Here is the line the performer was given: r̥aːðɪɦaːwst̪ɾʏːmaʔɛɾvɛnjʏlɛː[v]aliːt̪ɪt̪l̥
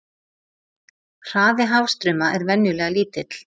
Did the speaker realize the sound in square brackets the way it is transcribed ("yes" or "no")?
no